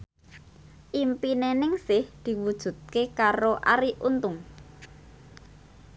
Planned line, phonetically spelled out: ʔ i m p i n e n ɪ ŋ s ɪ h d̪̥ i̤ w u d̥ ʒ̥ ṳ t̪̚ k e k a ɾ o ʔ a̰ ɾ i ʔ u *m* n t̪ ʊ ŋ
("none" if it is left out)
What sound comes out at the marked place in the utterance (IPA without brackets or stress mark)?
none